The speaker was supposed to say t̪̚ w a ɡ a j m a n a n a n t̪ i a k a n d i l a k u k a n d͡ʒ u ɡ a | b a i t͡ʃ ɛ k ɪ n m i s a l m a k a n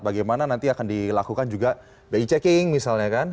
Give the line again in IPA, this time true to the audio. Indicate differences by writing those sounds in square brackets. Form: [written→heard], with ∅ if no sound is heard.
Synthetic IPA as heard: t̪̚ [w→b] a ɡ a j m a n a n a n t̪ i a k a n d i l a k u k a n d͡ʒ u ɡ a | b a i t͡ʃ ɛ k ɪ [n→ŋ] m i s a l [m→ɲ] a k a n